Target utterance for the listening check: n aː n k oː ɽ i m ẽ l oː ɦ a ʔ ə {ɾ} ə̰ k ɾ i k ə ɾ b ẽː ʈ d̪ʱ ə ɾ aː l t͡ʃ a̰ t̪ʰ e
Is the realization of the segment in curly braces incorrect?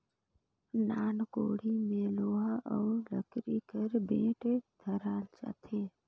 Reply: yes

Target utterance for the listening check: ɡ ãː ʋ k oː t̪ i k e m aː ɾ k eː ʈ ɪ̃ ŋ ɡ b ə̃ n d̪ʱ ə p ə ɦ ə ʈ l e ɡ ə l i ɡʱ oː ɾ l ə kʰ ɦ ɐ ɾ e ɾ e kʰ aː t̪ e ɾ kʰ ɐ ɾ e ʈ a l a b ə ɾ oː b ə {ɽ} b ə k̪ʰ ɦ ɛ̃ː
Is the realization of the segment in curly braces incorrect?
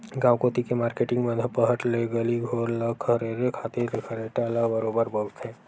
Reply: yes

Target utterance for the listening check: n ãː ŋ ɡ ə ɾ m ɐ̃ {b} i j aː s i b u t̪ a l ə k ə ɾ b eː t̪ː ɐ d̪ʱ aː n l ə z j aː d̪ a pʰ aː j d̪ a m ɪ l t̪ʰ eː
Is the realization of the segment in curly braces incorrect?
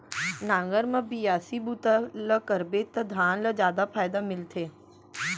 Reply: no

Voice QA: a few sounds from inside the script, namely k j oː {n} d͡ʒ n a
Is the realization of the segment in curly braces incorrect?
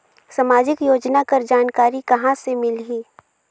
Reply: yes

